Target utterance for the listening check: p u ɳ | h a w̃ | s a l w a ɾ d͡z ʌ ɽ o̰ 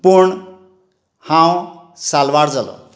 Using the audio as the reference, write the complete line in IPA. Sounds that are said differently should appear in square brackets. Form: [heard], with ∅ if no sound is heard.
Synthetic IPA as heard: p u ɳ | h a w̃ | s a l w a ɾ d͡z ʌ [l] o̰

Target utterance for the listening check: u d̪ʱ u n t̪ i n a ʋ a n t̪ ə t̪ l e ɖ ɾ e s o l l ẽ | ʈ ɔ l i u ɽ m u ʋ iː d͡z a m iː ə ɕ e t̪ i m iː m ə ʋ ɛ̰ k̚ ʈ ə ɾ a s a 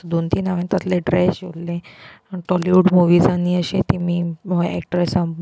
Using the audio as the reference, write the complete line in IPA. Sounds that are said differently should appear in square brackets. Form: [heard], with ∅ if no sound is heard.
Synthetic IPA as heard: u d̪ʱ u n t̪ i n a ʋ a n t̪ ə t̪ l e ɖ ɾ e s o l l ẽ | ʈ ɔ l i u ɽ m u ʋ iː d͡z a [n] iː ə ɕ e t̪ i m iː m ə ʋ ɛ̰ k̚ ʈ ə ɾ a s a

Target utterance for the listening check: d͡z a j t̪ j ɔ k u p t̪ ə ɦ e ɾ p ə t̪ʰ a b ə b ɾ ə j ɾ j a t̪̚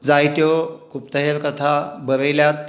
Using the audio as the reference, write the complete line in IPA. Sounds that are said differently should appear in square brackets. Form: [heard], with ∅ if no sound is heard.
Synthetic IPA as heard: d͡z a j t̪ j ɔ k u p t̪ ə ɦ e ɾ [k] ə t̪ʰ a b ə [∅] ɾ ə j [l] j a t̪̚

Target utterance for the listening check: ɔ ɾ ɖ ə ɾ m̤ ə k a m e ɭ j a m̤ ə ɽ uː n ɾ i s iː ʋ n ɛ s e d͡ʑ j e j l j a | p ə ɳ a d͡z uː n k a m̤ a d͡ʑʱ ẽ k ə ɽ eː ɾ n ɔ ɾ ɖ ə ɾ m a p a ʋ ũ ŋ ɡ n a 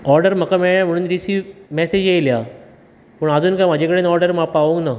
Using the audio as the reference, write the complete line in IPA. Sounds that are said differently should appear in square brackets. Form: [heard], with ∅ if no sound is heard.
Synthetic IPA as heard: ɔ ɾ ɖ ə ɾ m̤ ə k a m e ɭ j a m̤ ə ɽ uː n ɾ i s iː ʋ [m] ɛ s e d͡ʑ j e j l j a | p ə ɳ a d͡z uː n k a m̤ a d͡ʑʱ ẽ k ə ɽ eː [∅] n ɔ ɾ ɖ ə ɾ m a p a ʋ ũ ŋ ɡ n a

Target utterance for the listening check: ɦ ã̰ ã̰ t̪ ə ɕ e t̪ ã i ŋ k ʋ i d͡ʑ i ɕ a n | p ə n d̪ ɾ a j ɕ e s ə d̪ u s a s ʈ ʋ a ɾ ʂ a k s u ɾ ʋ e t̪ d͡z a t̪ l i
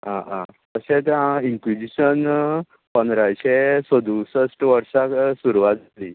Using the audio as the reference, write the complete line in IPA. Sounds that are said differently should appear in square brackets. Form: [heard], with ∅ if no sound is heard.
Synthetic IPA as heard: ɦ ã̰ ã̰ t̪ ə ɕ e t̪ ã i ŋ k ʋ i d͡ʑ i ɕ [ə] n | p ə n d̪ ɾ a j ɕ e s ə d̪ u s [ə] s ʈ ʋ [ə] ɾ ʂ a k s u ɾ ʋ [a] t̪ d͡z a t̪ l i

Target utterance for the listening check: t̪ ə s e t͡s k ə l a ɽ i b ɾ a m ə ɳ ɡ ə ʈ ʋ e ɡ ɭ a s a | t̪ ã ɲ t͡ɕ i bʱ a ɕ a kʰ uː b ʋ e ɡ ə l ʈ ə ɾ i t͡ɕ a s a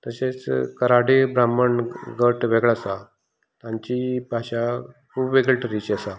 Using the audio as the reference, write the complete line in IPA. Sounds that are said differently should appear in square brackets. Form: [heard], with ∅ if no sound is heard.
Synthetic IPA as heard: t̪ ə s e t͡s k ə [ɾ] a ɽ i b ɾ a m ə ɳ ɡ ə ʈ ʋ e ɡ ɭ a s a | t̪ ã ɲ t͡ɕ i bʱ a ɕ a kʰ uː b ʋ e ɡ ə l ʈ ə ɾ i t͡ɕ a s a

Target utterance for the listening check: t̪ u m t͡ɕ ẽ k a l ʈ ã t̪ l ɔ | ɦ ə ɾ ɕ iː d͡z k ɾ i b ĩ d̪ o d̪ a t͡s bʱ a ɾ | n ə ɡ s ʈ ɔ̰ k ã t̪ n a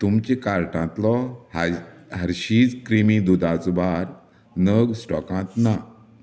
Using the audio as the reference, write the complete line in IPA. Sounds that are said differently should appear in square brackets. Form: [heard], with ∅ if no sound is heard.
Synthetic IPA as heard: t̪ u m t͡ɕ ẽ k a [ɾ] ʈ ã t̪ l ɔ | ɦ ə ɾ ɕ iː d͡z k ɾ i [m] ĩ d̪ [u] d̪ a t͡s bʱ a ɾ | n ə ɡ s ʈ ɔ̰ k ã t̪ n a

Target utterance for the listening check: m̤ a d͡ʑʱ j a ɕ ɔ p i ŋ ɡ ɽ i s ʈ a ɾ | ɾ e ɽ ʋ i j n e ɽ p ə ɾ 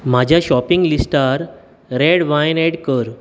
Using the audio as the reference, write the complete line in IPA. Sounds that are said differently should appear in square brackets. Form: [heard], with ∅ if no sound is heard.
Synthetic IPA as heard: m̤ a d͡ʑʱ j a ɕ ɔ p i ŋ ɡ [l] i s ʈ a ɾ | ɾ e ɽ ʋ [a] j n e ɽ [k] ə ɾ

